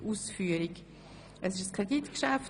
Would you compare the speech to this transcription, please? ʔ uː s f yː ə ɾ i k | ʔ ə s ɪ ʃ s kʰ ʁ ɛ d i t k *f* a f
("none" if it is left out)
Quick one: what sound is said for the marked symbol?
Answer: ʃ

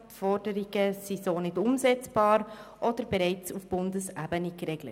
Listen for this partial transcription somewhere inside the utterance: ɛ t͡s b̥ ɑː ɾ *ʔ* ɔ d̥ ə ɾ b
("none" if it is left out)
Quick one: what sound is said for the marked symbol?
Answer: ʔ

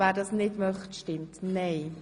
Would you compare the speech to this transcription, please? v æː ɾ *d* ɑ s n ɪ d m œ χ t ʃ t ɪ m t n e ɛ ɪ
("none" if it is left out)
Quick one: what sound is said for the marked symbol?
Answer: d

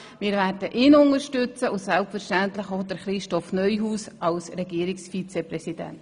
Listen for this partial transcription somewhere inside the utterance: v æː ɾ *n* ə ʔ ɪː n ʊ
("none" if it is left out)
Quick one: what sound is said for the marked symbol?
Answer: d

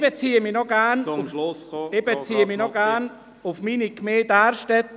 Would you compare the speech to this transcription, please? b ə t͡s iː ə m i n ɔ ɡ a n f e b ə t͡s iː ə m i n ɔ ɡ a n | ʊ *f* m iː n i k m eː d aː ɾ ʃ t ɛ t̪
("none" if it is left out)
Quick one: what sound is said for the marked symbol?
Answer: f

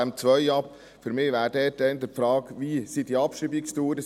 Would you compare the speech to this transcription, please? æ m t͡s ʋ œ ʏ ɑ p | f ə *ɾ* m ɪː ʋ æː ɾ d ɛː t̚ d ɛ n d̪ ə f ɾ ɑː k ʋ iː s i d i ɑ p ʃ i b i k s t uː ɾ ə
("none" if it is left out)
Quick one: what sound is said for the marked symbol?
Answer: ɾ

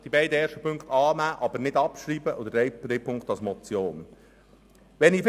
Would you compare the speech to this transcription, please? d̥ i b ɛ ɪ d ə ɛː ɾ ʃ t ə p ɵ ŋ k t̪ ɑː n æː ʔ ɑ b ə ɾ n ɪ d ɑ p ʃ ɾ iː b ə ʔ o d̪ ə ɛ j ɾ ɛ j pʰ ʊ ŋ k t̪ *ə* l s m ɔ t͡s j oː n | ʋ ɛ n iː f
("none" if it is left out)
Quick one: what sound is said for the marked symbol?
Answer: ɑ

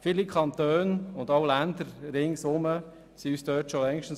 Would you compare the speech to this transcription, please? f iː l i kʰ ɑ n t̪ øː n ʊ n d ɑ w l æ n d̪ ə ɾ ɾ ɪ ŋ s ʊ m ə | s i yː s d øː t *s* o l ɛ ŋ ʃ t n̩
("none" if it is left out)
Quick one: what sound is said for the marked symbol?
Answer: ʃ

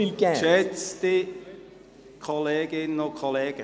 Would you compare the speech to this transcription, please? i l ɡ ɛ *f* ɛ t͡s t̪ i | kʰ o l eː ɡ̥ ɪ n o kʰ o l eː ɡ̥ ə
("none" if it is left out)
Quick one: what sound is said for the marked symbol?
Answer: ʃ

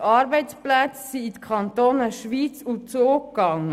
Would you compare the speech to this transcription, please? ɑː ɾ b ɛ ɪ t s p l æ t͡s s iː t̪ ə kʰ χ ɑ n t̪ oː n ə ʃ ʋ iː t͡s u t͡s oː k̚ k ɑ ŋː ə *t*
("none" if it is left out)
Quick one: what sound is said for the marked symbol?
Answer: none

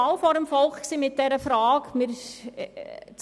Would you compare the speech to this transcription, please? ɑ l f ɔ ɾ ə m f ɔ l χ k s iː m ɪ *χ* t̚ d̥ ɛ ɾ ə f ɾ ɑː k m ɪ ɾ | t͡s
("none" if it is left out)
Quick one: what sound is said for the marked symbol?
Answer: none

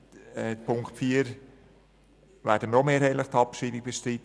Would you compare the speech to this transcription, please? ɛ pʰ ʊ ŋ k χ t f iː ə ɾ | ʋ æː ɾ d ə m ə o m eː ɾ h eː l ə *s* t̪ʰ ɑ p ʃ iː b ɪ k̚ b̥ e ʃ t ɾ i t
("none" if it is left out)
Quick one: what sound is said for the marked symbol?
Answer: χ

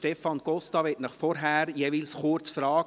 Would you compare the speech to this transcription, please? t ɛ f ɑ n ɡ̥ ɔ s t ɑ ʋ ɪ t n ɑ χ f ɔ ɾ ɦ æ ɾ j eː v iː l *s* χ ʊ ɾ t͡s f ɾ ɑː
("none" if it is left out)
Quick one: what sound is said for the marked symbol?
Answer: s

